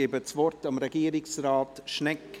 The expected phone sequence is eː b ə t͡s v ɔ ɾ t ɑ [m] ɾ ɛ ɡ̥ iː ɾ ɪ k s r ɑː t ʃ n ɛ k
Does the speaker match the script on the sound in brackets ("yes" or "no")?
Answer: yes